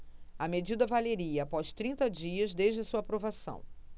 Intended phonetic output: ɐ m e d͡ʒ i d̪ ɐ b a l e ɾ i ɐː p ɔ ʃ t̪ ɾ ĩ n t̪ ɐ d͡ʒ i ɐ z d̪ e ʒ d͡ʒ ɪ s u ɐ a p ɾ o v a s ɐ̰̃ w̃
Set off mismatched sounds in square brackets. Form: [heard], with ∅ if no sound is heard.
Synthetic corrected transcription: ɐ m e d͡ʒ i d̪ ɐ [v] a l e ɾ i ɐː p ɔ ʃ t̪ ɾ ĩ n t̪ ɐ d͡ʒ i ɐ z d̪ e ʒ d͡ʒ ɪ s u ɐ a p ɾ o v a s ɐ̰̃ w̃

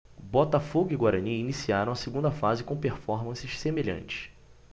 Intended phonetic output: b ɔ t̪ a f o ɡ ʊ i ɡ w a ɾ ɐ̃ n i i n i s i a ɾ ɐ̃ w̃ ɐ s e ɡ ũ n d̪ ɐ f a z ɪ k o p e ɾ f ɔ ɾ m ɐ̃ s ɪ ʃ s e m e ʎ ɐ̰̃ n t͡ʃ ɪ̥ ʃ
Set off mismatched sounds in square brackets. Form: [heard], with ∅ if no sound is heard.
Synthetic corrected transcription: b ɔ t̪ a f o ɡ ʊ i ɡ w a ɾ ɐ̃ n i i n i s i a ɾ ɐ̃ w̃ ɐ s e ɡ ũ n d̪ ɐ f a z ɪ k [õ] p e ɾ f ɔ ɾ m ɐ̃ s ɪ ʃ s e m e ʎ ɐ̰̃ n t͡ʃ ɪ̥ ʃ

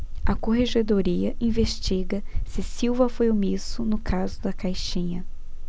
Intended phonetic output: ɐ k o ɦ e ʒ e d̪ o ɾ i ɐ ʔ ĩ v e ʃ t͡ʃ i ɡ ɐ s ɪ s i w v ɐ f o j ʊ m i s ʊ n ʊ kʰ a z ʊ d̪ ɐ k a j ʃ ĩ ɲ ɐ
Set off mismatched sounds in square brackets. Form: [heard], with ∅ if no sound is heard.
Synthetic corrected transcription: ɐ k o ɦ e ʒ e d̪ o ɾ i ɐ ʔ ĩ v e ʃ t͡ʃ i ɡ ɐ s ɪ s i w v ɐ f o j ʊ m i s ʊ n ʊ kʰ a z ʊ d̪ ɐ k a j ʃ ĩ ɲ ɐ

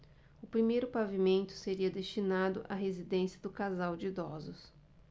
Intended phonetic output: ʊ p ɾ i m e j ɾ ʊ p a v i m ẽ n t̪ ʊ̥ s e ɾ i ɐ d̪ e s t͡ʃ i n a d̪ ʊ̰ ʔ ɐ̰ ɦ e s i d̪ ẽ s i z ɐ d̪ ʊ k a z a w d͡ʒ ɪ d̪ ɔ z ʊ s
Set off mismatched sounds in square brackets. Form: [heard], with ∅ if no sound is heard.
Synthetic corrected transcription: ʊ p ɾ i m e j ɾ ʊ p a v i m ẽ n t̪ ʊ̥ s e ɾ i ɐ d̪ e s t͡ʃ i n a d̪ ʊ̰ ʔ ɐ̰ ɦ e [z] i d̪ ẽ s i [∅] ɐ d̪ ʊ k a z a w d͡ʒ ɪ d̪ ɔ z ʊ s

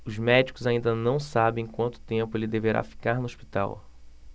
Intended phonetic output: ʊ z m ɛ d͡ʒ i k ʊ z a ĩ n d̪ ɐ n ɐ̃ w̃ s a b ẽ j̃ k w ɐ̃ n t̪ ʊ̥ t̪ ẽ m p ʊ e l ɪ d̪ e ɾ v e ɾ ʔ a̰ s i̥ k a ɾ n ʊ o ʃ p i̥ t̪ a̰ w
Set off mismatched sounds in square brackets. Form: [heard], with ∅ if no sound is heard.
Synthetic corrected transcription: ʊ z m ɛ d͡ʒ i k ʊ z a ĩ n d̪ ɐ n ɐ̃ w̃ s a b ẽ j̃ k w ɐ̃ n t̪ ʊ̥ t̪ ẽ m p ʊ e l ɪ d̪ e [∅] v e ɾ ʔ a̰ [f] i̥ k a ɾ n ʊ o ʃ p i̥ t̪ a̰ w

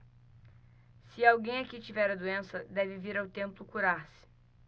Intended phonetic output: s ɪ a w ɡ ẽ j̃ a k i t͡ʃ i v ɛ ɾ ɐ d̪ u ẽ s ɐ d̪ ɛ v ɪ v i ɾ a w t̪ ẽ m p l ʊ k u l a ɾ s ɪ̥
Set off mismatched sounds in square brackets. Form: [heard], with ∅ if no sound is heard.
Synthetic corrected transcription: s ɪ a w ɡ ẽ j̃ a k i t͡ʃ i v ɛ ɾ ɐ d̪ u ẽ s ɐ d̪ ɛ v ɪ v i ɾ a w t̪ ẽ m p l ʊ k u [ɾ] a ɾ s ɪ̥

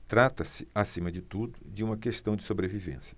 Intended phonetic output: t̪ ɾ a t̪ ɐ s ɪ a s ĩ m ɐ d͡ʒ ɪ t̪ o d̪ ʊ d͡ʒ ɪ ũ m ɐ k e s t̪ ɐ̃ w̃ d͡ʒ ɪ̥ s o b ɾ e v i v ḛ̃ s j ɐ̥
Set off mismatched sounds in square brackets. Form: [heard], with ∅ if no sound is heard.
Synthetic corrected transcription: t̪ ɾ a t̪ ɐ s ɪ a s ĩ m ɐ d͡ʒ ɪ t̪ [u] d̪ ʊ d͡ʒ ɪ ũ m ɐ k e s t̪ ɐ̃ w̃ d͡ʒ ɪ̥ s o b ɾ e v i v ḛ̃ s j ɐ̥

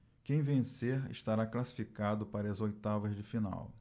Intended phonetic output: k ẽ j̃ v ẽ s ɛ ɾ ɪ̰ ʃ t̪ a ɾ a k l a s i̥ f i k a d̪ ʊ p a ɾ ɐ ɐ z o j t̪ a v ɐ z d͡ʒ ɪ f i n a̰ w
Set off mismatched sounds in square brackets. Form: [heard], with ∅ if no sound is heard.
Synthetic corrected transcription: k ẽ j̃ v ẽ s [e] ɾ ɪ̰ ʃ t̪ a ɾ a k l a s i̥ f i k a d̪ ʊ p a ɾ ɐ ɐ z o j t̪ a v ɐ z d͡ʒ ɪ f i n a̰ w

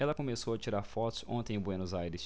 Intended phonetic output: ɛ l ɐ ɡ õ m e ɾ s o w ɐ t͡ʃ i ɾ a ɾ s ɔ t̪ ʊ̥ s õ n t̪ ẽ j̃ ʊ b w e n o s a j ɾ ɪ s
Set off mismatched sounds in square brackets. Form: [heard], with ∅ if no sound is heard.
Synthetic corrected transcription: ɛ l ɐ [k] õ m e [∅] s o w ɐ t͡ʃ i ɾ a ɾ [f] ɔ t̪ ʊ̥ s õ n t̪ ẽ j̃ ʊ b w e n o [z] a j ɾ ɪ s

